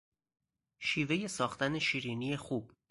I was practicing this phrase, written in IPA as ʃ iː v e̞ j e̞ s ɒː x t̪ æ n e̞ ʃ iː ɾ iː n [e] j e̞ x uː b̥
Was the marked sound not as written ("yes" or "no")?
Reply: yes